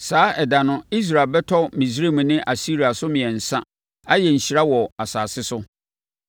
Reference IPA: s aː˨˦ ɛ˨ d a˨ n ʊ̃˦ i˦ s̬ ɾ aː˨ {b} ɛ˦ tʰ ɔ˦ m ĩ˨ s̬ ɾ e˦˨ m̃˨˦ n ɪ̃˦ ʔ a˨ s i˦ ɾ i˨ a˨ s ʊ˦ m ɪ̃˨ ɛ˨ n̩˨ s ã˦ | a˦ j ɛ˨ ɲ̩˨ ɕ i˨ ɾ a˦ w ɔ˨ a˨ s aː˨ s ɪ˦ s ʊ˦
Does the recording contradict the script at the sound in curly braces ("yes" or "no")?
no